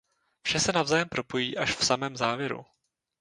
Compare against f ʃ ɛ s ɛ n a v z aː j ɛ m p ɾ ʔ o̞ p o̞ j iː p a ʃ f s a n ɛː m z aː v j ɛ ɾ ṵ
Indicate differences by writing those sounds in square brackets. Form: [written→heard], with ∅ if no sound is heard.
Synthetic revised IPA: f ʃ ɛ s ɛ n a v z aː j ɛ m p ɾ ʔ o̞ p o̞ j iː [p→ʔ] a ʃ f s a [n→m] ɛː m z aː v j ɛ ɾ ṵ